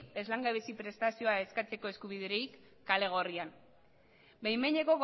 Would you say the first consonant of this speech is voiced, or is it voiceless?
voiced